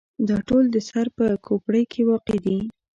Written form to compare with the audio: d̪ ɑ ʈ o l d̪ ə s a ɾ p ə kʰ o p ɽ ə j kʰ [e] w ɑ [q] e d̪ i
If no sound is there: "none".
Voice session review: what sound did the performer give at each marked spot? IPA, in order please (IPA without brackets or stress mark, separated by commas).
e, q